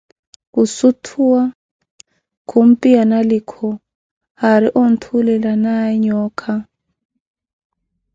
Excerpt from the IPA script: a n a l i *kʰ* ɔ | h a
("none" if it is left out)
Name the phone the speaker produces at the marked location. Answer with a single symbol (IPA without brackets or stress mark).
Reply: kʰ